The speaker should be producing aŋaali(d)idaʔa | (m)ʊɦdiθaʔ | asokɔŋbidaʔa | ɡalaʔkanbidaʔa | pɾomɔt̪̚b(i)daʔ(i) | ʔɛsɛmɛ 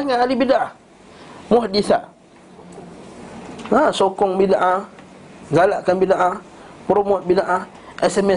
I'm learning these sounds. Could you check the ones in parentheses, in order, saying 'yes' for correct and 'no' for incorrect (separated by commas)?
no, yes, yes, no